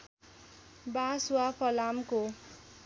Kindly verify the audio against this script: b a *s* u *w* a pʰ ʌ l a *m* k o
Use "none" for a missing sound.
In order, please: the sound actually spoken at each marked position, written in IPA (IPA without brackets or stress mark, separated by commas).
s, w, m